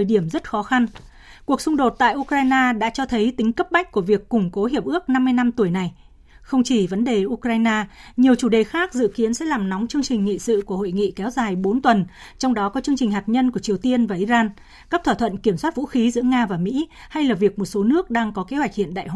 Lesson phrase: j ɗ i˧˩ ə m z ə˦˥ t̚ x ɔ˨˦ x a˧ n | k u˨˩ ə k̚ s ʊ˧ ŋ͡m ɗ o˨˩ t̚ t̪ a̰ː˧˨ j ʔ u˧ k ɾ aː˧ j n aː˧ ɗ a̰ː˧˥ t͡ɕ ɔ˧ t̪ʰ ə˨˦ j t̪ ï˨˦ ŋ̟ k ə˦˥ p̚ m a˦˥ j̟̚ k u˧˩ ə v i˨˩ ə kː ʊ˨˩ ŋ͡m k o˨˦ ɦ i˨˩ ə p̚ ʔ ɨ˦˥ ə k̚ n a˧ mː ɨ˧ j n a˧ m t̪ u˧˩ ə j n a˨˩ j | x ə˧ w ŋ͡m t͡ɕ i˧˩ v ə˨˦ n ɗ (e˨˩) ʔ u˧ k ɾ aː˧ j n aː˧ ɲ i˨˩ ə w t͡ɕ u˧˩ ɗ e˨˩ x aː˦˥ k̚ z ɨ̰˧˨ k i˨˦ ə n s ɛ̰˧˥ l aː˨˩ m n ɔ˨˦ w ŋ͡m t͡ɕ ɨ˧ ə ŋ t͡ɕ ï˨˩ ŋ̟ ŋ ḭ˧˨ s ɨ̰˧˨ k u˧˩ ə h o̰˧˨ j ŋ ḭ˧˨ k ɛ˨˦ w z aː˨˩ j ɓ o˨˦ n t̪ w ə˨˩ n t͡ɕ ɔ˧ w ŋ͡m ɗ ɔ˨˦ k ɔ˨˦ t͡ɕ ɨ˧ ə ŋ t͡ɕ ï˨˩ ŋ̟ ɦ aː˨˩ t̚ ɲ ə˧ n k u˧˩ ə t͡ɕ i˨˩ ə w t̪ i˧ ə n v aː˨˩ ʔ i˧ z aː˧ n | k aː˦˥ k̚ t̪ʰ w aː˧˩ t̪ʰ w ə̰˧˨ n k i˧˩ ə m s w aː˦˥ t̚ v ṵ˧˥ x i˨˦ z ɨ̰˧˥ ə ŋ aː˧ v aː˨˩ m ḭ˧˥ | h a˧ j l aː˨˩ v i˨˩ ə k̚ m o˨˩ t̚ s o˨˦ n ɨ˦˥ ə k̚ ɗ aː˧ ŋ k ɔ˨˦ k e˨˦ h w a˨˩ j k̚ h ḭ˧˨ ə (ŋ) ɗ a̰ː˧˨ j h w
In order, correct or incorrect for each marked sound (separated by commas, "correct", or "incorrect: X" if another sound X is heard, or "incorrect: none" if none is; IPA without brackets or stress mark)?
correct, incorrect: n